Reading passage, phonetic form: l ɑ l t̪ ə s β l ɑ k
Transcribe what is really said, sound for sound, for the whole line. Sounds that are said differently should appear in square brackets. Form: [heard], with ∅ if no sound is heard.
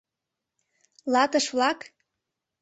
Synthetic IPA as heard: l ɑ [∅] t̪ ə [ʃ] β l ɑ k

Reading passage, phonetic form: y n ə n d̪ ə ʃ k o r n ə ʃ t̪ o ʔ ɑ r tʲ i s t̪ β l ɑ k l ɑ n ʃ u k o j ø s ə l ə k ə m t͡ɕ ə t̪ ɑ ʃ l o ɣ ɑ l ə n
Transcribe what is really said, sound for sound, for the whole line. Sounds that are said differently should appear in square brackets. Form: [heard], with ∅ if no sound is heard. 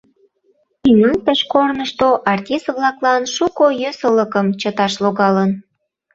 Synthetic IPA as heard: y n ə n [t̪] ə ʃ k o r n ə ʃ t̪ o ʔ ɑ r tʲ i s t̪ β l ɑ k l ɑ n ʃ u k o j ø s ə l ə k ə m t͡ɕ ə t̪ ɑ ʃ l o ɣ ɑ l ə n

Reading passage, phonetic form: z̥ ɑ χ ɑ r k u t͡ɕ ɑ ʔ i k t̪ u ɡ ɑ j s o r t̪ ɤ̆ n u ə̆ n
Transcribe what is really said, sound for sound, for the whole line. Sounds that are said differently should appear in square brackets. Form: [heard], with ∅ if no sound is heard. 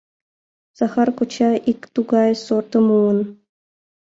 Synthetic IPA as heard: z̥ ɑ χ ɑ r k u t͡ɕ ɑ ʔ i k t̪ u ɡ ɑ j s o r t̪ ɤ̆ [m] u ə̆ n

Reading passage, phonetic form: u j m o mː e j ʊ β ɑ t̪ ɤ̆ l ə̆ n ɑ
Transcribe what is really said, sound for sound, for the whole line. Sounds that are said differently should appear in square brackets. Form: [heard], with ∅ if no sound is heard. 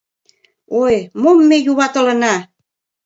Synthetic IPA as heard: [o] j m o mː e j [u] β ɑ t̪ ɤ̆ l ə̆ n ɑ

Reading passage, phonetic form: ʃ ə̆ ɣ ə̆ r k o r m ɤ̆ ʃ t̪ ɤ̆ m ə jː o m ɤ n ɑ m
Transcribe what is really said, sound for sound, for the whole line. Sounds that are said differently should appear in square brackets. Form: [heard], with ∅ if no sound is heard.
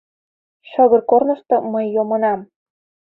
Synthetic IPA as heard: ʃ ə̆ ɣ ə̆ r k o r [n] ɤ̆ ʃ t̪ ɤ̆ m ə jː o m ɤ n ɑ m

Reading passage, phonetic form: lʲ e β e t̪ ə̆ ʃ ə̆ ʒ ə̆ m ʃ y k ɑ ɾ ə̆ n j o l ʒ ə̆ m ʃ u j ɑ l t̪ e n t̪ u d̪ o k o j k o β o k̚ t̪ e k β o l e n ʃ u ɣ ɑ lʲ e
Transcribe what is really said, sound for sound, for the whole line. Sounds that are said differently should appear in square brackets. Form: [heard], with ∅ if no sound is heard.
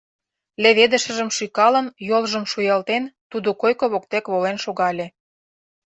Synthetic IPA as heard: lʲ e β e [d̪] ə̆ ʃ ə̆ ʒ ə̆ m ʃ y k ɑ [l] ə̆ n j o l ʒ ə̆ m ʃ u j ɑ l t̪ e n t̪ u d̪ o k o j k o β o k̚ t̪ e k β o l e n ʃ [o] ɣ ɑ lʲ e

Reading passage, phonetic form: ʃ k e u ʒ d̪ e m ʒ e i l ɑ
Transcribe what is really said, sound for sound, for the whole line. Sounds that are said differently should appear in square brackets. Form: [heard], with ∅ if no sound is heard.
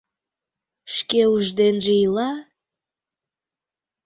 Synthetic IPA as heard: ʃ k e u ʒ d̪ e [n] ʒ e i l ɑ

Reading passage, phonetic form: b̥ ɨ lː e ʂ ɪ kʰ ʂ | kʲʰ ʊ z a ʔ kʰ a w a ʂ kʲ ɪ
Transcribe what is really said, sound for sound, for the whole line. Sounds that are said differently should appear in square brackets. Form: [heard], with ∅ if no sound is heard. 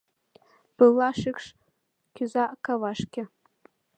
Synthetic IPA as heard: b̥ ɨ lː [a] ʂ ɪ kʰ ʂ | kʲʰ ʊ z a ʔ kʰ a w a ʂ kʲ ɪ

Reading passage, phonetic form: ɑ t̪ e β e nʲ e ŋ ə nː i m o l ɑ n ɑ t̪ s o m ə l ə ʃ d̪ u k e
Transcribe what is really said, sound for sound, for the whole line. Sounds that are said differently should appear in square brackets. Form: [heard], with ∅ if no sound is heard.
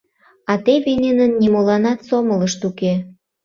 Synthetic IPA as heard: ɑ t̪ e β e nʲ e [n] ə nː i m o l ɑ n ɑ t̪ s o m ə l ə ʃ [t̪] u k e

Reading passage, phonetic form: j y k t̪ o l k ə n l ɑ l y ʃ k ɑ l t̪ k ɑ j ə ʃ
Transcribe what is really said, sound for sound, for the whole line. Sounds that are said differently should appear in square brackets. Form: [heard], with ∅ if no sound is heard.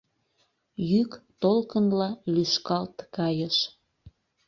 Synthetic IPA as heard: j y k t̪ o l k ə n l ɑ l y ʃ k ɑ l t̪ k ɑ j ə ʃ

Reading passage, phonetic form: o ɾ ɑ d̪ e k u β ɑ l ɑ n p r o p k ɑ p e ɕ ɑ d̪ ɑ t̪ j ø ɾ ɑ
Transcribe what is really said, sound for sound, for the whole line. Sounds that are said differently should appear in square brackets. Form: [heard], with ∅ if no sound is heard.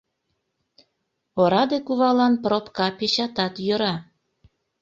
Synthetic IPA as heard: o ɾ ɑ d̪ e k u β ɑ l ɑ n p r o p k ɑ p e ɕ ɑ [t̪] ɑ t̪ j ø ɾ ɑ

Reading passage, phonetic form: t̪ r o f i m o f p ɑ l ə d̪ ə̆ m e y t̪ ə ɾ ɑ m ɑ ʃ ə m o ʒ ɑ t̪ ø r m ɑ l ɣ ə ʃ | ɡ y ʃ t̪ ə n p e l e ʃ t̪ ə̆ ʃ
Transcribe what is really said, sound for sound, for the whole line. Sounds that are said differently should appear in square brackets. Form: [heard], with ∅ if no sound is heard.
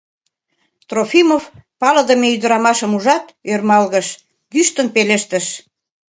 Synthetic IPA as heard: t̪ r o f i m o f p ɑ l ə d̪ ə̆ m e y [d̪] ə ɾ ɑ m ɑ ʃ ə m [u] ʒ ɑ t̪ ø r m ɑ l ɣ ə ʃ | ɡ y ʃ t̪ ə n p e l e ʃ t̪ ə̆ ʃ

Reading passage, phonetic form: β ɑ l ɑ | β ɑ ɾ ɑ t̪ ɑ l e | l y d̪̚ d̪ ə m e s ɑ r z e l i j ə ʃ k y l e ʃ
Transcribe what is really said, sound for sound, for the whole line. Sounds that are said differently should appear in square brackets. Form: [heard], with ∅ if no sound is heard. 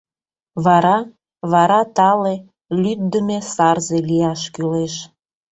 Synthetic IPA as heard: β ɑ [ɾ] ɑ | β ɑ ɾ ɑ t̪ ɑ l e | l y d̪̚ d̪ ə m e s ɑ r z e l i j [ɑ] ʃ k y l e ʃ

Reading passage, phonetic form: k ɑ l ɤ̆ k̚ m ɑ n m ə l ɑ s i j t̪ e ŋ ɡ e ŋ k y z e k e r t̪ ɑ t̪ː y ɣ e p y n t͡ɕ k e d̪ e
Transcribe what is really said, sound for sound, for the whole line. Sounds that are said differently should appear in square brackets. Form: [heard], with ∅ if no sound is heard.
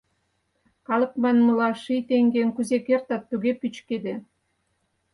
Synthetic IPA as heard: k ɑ l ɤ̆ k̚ m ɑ n m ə l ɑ [ʃ] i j t̪ e ŋ ɡ e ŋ k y z e k e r t̪ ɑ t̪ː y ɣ e p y [∅] t͡ɕ k e d̪ e

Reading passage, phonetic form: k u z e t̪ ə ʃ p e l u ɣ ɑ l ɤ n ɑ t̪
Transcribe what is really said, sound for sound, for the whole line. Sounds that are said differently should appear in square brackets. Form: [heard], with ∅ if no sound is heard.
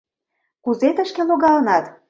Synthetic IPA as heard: k u z e t̪ ə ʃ [k] e l [o] ɣ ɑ l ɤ n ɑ t̪

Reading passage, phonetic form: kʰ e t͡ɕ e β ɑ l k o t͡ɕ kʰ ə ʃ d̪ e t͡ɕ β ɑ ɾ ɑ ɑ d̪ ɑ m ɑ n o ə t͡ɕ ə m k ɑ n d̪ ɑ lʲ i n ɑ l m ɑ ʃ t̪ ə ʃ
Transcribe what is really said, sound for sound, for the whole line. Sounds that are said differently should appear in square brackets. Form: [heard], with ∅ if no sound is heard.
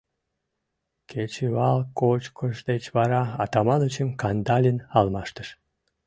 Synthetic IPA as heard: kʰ e t͡ɕ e β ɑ l k o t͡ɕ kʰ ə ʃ d̪ e t͡ɕ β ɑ ɾ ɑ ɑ [t̪] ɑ m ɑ n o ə t͡ɕ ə m k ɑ n d̪ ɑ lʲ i n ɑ l m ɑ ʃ t̪ ə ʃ

